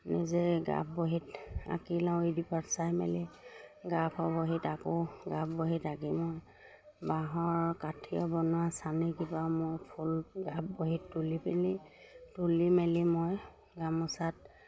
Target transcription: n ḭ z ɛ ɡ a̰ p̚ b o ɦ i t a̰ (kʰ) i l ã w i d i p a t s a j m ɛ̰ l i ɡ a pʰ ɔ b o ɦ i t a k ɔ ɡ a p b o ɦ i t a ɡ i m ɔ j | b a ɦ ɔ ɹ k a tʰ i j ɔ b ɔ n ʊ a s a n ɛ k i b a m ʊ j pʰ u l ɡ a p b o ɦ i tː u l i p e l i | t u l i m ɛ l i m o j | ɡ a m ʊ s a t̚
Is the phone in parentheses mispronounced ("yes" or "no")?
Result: yes